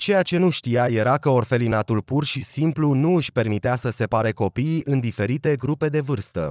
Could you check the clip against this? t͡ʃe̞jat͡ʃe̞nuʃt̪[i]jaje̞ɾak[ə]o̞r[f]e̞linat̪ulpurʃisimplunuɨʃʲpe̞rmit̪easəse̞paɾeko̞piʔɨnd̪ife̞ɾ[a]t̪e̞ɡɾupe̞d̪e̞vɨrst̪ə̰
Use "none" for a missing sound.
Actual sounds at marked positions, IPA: i, ə, f, i

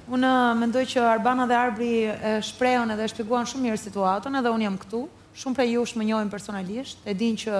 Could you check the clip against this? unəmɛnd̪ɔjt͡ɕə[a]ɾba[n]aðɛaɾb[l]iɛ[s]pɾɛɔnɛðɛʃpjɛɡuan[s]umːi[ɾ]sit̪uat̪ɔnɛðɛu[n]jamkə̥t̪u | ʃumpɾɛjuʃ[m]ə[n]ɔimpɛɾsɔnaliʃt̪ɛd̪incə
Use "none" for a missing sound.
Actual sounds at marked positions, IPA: a, n, ɾ, ʃ, ʃ, ɾ, n, m, ɲ

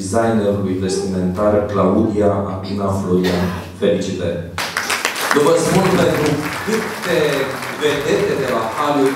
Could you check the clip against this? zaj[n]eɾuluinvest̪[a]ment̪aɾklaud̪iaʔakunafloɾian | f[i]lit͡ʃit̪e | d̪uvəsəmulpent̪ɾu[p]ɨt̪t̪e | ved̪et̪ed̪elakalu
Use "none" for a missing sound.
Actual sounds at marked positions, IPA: n, i, e, k

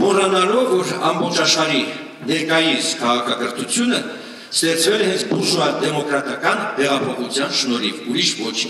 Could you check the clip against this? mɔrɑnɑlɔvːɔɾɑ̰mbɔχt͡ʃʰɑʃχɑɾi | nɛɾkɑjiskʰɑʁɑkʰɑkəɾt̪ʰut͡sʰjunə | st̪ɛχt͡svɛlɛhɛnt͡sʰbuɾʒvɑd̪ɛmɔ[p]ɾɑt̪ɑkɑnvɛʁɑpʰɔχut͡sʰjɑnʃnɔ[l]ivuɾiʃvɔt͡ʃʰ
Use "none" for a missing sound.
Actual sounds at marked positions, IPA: k, ɾ

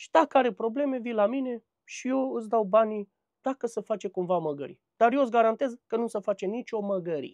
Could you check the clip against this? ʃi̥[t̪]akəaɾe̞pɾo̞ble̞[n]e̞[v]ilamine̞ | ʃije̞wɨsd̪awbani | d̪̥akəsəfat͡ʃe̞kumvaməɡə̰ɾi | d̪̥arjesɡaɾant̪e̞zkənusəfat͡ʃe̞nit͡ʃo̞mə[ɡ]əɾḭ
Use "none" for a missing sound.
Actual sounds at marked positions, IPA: d̪, m, v, ɡ

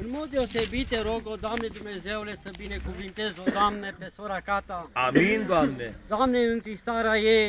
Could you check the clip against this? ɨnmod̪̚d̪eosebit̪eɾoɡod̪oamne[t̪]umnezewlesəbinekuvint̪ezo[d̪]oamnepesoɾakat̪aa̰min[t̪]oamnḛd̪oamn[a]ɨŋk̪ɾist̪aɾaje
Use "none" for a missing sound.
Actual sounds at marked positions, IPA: d̪, d̪, d̪, e

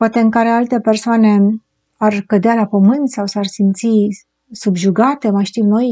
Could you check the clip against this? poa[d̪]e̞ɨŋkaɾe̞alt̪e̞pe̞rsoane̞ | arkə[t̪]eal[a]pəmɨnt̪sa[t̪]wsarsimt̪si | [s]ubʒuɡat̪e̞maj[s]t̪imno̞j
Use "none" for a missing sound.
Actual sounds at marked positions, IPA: t̪, d̪, a, none, s, ʃ

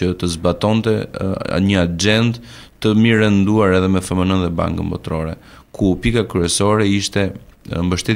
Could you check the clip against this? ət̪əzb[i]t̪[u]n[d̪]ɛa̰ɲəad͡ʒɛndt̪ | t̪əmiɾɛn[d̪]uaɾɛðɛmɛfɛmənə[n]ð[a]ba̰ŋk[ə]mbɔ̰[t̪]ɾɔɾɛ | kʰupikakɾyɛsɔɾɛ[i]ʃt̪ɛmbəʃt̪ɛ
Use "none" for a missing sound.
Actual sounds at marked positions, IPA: a, ɔ, t̪, d̪, n, ɛ, ə, t̪, i

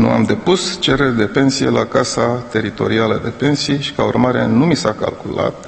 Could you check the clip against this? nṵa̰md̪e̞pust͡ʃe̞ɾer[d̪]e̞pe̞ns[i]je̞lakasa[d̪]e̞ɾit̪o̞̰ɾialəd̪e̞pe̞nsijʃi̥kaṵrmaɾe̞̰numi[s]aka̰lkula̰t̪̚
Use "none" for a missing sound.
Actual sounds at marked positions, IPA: d̪, i, t̪, s

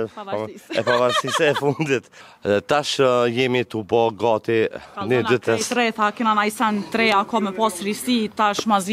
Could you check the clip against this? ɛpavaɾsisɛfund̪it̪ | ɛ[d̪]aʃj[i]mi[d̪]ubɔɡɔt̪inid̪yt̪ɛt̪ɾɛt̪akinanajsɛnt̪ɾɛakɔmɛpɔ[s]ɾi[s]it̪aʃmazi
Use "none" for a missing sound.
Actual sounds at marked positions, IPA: t̪, ɛ, t̪, s, s

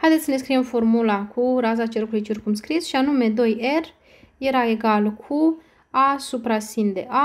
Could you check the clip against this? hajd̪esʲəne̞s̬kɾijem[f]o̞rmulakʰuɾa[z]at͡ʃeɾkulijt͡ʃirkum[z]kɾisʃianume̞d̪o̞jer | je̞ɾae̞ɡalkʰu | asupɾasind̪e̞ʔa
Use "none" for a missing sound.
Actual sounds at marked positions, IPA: f, z, s

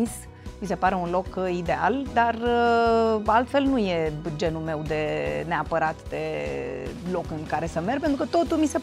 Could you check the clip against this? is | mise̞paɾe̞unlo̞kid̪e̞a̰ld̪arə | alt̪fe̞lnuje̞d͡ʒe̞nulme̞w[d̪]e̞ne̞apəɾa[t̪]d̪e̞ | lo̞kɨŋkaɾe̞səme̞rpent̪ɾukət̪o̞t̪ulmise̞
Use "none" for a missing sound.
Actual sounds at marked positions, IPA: d̪, t̪

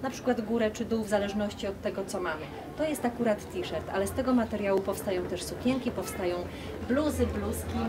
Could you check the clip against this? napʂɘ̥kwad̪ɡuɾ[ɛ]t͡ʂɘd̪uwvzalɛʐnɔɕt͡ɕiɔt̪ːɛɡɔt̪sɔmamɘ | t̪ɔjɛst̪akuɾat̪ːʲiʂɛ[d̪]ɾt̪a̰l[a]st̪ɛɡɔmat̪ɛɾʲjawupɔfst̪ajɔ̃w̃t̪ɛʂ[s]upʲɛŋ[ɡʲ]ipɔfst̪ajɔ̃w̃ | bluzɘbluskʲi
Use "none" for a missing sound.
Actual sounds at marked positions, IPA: ɛ, none, ɛ, s, kʲ

